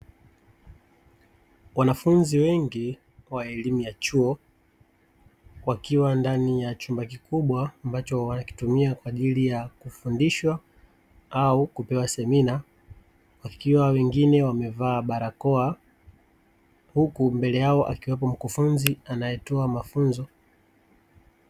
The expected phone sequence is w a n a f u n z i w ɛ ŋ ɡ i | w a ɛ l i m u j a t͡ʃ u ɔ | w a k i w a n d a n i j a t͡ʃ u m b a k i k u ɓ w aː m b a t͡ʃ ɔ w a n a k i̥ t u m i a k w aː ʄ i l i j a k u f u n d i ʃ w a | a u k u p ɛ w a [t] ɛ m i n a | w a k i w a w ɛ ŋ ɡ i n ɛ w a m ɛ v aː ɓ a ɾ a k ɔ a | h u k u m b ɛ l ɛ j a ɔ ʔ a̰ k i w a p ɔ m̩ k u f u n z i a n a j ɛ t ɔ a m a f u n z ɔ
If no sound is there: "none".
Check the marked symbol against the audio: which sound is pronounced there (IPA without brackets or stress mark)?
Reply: s